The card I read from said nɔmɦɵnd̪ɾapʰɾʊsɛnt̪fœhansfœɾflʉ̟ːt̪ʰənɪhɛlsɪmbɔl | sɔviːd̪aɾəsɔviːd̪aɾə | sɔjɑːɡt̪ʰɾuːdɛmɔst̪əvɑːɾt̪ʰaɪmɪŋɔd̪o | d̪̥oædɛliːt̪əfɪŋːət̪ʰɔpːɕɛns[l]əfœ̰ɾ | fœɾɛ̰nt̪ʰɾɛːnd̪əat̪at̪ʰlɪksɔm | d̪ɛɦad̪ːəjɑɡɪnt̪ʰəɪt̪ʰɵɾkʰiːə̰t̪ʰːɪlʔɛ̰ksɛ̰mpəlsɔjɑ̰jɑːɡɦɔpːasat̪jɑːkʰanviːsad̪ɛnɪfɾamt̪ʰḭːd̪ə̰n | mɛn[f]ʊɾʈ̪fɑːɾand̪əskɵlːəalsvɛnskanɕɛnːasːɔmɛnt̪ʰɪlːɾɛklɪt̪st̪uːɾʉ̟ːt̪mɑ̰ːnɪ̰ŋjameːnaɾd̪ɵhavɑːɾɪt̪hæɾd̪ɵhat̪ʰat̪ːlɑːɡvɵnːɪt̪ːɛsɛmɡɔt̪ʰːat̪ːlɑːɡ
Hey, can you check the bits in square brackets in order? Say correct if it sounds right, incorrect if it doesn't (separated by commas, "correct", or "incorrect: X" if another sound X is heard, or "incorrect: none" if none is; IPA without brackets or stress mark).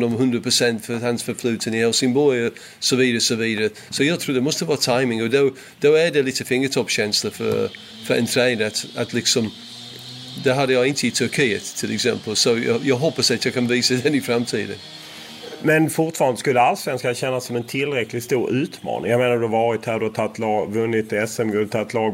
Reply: correct, correct